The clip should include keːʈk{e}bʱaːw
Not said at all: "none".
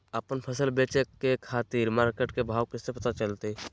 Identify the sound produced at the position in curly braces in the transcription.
e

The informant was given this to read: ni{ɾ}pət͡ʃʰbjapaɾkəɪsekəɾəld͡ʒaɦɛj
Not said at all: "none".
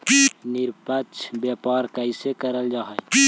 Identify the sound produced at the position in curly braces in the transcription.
ɾ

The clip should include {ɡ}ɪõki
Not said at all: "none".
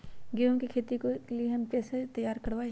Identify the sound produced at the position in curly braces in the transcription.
ɡ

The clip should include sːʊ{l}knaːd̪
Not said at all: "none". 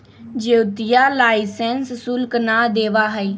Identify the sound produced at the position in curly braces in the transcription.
l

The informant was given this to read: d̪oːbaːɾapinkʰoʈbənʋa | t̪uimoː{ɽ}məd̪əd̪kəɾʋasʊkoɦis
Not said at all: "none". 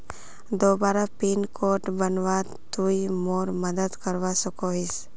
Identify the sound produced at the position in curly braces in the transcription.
ɾ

